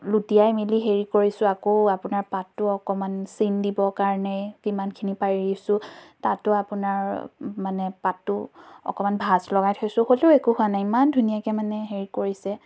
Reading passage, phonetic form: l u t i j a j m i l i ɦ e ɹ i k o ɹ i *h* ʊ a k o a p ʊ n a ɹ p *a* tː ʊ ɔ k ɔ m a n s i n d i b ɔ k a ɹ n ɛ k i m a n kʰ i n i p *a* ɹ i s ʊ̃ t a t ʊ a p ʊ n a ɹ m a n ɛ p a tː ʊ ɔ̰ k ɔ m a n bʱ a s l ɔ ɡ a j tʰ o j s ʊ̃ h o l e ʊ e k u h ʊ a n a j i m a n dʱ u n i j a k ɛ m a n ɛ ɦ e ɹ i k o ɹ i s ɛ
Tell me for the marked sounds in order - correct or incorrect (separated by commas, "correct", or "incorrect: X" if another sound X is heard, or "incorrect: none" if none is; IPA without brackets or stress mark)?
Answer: incorrect: s, correct, correct